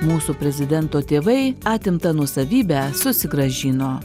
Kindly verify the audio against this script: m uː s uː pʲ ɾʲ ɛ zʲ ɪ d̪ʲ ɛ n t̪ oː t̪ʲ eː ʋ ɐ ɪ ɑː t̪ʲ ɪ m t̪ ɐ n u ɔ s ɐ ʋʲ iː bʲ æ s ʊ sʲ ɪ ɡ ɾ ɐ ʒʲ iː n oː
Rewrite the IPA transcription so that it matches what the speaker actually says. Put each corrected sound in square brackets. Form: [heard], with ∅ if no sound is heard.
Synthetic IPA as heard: m uː s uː pʲ ɾʲ ɛ zʲ ɪ d̪ʲ ɛ n t̪ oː t̪ʲ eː ʋ ɐ ɪ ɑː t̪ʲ ɪ m t̪ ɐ n u ɔ s ɐ ʋʲ iː bʲ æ s ʊ sʲ ɪ ɡ ɾ ɐ ʒʲ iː n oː